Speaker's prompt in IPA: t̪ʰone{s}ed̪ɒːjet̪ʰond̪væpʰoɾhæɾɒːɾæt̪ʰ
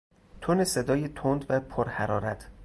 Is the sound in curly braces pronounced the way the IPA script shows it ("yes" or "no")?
yes